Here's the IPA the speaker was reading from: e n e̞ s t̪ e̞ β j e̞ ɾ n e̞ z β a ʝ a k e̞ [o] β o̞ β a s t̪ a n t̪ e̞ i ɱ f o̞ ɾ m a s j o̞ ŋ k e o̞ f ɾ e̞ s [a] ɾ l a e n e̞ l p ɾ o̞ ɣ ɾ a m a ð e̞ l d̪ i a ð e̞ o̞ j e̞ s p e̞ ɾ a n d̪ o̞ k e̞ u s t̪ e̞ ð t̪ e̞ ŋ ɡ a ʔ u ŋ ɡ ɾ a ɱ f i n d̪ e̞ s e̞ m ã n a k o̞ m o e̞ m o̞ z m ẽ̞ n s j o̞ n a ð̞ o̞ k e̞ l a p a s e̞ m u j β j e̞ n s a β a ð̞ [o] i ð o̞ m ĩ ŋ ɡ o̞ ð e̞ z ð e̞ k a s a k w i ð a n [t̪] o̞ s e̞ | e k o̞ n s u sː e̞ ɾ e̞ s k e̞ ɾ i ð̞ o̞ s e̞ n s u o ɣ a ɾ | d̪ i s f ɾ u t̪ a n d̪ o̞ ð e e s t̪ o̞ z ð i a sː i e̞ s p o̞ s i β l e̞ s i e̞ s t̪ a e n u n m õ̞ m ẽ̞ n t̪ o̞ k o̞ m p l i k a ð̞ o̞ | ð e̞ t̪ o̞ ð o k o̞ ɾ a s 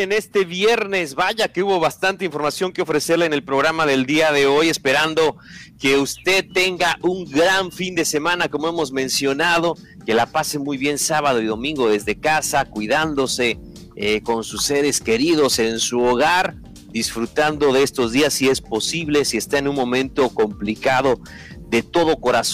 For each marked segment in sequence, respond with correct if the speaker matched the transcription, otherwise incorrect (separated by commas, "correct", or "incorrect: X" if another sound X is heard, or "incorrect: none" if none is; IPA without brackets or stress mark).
incorrect: u, incorrect: e, correct, incorrect: d̪